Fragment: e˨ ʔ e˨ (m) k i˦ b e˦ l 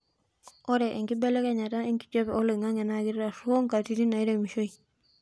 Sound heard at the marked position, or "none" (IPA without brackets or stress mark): ŋ